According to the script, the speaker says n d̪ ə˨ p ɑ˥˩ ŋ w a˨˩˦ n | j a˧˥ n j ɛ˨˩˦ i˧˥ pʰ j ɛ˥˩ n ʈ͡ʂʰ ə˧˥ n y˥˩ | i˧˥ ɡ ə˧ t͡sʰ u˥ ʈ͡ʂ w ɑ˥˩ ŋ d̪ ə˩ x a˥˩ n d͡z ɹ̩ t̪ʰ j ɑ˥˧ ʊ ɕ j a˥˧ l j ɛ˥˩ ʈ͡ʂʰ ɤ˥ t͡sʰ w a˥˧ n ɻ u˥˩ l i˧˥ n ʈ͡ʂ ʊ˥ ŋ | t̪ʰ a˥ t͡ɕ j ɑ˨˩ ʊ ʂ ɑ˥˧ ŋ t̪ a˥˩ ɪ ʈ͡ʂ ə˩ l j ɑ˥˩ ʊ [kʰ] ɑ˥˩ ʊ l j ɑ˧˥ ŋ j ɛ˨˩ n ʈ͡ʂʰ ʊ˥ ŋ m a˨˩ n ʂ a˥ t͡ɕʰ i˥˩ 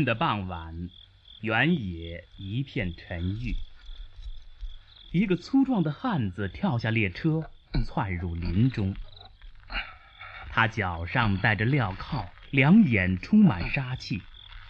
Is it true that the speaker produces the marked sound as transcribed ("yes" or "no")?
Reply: yes